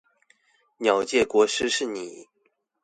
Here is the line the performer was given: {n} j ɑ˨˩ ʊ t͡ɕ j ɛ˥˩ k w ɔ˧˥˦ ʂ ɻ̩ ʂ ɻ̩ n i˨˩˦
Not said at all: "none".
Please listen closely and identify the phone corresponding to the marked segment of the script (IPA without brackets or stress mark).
n